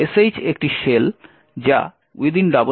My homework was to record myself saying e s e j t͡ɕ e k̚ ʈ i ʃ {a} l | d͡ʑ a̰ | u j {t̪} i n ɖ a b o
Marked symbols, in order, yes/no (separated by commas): no, no